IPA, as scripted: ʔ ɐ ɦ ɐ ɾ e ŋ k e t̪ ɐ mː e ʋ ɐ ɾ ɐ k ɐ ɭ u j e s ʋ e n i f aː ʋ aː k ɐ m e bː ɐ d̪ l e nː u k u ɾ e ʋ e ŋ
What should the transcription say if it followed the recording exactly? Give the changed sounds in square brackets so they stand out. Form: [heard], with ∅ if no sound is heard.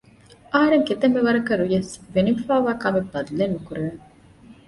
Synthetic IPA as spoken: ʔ ɐ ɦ ɐ ɾ e ŋ k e t̪ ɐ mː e ʋ ɐ ɾ ɐ k ɐ [ɾ] u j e s ʋ e n i f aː ʋ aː k ɐ m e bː ɐ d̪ l e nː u k u ɾ e ʋ e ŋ